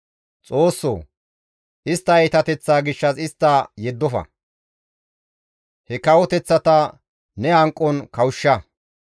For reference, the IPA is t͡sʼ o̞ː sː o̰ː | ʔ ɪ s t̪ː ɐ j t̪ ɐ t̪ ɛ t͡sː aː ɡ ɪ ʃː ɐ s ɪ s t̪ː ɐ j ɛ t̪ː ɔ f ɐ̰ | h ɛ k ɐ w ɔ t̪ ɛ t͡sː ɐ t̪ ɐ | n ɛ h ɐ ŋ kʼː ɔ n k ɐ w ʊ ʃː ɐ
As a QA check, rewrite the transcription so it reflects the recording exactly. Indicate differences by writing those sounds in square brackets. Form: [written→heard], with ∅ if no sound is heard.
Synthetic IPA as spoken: t͡sʼ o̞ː sː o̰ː | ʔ ɪ s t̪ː ɐ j t̪ ɐ t̪ ɛ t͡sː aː ɡ ɪ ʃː ɐ s ɪ s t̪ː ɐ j ɛ [t̪ː→d̪ː] ɔ f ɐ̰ | h ɛ k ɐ w ɔ t̪ ɛ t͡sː ɐ t̪ ɐ | n ɛ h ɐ ŋ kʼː ɔ n k ɐ w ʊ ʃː ɐ